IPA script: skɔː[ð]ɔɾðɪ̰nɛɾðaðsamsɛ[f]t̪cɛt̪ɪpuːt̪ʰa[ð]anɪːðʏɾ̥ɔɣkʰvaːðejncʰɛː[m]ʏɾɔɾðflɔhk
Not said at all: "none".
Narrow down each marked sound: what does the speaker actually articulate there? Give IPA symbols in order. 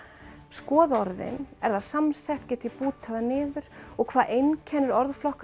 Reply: ð, h, ð, n

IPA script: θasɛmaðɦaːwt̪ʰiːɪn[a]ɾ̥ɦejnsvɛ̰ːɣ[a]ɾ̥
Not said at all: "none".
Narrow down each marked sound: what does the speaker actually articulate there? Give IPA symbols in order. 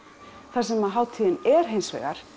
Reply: ɛ, a

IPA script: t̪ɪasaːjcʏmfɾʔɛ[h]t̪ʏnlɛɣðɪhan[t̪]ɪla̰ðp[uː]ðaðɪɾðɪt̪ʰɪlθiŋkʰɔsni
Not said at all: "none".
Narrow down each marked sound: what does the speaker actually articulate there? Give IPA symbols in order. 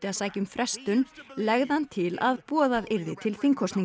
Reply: s, t̪ʰ, ɔː

